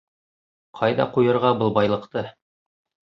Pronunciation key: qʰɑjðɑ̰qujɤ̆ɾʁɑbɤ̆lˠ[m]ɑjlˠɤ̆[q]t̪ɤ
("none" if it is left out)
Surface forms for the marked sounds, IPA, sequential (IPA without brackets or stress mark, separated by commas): b, q